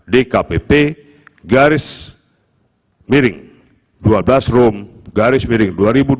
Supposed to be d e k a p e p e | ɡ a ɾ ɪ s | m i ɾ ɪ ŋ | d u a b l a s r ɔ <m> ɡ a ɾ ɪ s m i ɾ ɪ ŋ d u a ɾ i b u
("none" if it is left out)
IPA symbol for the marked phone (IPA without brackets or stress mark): m